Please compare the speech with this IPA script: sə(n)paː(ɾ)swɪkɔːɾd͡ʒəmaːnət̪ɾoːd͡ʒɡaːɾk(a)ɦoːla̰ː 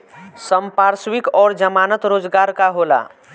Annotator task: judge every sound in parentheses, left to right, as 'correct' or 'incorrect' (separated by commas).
incorrect, correct, correct